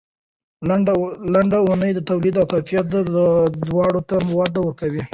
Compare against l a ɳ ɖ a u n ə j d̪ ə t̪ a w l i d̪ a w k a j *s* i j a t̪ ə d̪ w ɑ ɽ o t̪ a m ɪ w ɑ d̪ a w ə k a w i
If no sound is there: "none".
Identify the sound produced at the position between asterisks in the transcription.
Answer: f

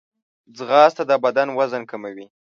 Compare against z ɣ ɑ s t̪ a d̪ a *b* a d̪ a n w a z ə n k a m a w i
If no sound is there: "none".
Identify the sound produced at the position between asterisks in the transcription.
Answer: b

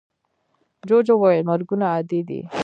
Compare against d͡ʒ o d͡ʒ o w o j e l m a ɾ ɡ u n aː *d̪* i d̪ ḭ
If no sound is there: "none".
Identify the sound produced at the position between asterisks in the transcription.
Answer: d̪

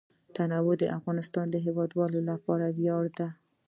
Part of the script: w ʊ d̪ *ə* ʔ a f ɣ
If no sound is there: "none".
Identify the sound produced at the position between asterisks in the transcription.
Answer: ə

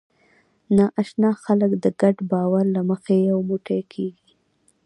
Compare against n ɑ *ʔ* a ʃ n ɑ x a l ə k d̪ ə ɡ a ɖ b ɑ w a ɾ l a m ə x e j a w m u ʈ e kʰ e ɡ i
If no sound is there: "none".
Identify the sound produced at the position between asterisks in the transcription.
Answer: ʔ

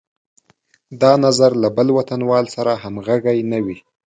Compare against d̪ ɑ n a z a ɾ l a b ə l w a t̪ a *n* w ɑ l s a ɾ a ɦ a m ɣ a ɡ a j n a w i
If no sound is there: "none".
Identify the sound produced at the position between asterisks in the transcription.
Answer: n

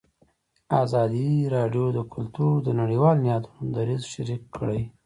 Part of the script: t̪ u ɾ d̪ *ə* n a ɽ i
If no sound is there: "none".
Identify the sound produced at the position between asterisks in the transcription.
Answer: ə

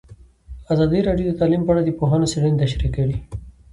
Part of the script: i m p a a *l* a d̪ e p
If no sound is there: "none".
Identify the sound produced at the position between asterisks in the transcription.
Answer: ɽ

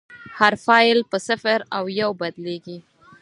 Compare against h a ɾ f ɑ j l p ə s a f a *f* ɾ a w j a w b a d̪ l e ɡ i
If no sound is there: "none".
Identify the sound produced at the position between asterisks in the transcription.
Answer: none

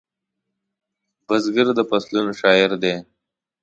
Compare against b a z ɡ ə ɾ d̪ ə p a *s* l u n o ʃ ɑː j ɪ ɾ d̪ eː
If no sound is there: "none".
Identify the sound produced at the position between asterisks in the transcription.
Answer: s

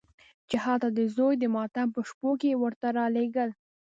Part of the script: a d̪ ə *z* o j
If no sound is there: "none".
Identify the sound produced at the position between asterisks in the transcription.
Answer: z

